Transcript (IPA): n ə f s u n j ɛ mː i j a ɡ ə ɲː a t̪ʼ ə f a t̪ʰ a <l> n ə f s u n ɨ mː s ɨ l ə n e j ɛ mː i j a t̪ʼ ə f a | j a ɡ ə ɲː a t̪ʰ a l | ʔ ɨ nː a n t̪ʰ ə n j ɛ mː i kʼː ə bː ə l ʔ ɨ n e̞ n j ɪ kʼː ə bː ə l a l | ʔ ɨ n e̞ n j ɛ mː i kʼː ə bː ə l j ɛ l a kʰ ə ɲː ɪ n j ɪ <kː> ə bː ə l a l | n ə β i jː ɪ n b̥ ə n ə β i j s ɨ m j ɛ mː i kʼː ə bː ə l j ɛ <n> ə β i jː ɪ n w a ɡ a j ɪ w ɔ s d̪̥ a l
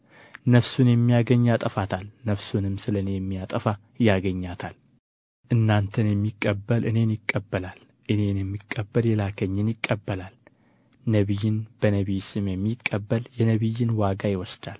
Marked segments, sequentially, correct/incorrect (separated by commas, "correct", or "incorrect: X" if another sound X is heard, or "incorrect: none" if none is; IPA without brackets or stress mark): correct, incorrect: kʼː, correct